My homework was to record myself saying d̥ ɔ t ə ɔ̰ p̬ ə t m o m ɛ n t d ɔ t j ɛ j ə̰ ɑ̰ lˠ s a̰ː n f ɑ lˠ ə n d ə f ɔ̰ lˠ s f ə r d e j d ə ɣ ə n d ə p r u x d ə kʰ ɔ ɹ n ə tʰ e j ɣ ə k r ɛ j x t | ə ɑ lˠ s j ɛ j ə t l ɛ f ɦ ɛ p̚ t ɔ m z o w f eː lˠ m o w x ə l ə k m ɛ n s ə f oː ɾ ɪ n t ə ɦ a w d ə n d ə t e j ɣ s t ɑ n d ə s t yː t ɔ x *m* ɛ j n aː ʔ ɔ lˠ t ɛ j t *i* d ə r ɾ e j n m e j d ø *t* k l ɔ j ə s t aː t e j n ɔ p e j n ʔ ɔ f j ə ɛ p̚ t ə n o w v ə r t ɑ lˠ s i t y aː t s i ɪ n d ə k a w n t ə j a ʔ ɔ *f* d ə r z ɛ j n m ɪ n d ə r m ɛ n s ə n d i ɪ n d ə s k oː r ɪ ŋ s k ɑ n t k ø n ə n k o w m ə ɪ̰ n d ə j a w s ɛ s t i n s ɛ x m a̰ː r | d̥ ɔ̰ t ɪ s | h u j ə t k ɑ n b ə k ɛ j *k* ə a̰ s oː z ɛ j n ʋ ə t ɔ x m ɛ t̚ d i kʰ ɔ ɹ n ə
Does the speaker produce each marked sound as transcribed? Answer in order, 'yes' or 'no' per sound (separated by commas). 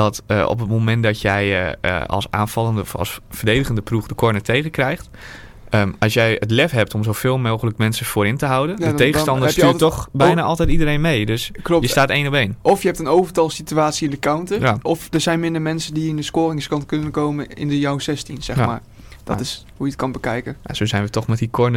no, yes, no, yes, yes